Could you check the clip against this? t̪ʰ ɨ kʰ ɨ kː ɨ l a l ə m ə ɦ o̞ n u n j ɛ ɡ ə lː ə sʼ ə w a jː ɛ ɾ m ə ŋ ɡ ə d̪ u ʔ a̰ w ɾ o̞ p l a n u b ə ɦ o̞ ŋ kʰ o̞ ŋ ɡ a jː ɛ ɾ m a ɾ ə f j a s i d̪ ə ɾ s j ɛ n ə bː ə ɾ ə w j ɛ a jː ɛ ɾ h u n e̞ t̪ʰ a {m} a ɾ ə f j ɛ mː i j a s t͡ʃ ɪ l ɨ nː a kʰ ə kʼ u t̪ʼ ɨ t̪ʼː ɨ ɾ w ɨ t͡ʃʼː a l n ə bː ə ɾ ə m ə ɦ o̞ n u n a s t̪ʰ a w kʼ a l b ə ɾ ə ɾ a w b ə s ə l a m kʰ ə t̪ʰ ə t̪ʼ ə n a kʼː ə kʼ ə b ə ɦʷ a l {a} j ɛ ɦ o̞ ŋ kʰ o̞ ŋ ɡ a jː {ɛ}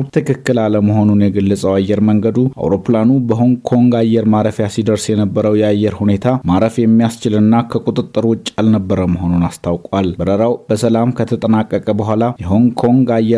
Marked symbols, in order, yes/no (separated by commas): yes, yes, yes